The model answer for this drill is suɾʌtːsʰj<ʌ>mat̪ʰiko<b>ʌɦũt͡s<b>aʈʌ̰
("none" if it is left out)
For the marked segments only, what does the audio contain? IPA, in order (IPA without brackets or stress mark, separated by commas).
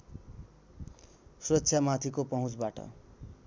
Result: a, p, b